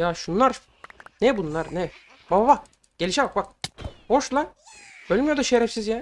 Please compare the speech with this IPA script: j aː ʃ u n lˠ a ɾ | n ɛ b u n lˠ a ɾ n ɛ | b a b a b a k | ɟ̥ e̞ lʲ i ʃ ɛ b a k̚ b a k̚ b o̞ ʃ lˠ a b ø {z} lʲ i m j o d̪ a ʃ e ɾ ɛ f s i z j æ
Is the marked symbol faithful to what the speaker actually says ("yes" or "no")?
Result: no